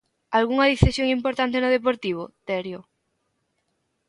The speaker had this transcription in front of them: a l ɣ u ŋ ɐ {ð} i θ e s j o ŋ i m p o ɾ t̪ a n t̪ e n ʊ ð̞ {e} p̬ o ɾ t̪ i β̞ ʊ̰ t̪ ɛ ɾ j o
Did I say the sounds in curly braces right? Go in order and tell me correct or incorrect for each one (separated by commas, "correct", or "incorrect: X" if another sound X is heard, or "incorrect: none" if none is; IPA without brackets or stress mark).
correct, correct